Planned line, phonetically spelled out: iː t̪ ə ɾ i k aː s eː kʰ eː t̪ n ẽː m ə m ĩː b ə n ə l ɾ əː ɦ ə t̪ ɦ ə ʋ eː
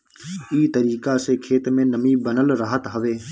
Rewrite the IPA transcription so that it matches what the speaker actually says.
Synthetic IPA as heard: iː t̪ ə ɾ iː k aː s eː kʰ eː t̪ m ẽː n ə m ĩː b ə n ə l ɾ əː ɦ ə t̪ ɦ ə ʋ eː